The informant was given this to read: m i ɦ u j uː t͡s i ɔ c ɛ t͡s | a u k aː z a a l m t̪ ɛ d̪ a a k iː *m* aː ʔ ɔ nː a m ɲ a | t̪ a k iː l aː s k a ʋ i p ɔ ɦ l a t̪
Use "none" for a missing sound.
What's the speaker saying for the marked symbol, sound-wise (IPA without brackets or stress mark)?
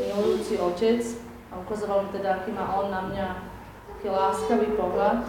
m